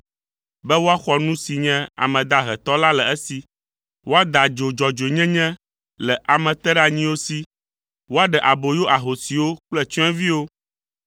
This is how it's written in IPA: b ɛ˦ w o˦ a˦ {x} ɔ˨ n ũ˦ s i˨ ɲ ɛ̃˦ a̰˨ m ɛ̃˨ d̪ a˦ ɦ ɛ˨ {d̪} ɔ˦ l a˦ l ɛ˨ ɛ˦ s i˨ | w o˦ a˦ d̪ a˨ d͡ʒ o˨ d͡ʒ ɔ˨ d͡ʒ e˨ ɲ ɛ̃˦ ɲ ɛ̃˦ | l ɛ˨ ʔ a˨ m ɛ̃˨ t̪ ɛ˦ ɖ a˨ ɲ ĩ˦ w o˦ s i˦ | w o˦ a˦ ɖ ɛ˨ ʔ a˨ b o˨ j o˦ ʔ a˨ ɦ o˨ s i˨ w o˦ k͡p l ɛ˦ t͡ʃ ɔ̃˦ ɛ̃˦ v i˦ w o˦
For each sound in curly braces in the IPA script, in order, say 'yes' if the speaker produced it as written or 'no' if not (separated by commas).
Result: yes, no